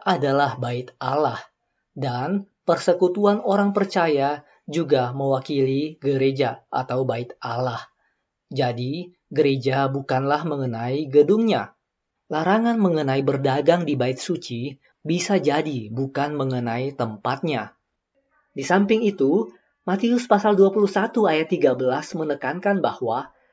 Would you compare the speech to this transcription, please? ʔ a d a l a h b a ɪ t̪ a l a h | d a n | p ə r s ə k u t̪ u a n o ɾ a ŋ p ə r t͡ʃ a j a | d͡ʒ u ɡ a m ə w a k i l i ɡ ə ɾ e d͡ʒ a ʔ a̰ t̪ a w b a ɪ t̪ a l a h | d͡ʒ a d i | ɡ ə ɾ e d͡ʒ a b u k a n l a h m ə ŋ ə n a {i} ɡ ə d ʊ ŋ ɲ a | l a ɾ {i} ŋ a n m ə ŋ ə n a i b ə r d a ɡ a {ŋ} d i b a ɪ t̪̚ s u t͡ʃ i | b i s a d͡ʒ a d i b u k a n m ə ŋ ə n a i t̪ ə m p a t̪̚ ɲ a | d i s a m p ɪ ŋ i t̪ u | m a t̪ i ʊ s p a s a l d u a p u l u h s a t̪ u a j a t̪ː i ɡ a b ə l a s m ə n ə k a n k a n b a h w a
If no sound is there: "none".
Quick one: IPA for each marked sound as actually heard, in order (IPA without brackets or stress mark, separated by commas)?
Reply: i, a, ŋ